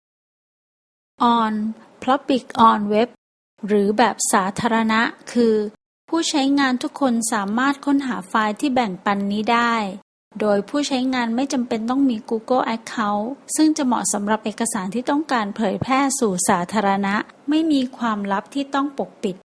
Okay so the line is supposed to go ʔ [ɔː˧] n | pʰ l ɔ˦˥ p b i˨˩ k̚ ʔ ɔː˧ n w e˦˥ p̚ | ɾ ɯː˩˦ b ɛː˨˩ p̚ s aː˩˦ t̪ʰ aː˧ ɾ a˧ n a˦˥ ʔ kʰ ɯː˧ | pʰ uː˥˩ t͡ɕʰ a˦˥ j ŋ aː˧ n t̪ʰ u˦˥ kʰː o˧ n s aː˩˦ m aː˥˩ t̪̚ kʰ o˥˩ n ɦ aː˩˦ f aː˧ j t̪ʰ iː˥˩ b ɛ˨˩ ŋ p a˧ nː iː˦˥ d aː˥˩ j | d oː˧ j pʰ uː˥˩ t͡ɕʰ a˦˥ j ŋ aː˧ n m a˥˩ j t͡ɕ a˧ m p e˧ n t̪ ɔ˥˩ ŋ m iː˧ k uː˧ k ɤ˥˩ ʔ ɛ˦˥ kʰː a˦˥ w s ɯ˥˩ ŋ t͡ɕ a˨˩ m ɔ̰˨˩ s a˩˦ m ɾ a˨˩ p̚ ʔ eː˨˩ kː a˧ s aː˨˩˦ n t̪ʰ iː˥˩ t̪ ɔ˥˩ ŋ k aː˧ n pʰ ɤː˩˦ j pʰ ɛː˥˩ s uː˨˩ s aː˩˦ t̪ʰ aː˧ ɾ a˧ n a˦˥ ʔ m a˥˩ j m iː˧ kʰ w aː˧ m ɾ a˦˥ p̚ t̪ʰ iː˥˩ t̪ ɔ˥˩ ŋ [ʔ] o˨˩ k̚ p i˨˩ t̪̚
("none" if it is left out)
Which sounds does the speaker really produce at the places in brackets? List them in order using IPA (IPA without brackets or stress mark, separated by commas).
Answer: ɔː˧, p